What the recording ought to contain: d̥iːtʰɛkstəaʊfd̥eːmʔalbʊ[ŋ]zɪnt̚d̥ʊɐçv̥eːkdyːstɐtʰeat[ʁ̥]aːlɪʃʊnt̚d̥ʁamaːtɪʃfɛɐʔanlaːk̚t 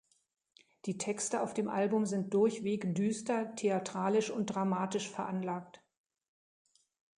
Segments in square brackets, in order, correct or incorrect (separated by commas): incorrect, correct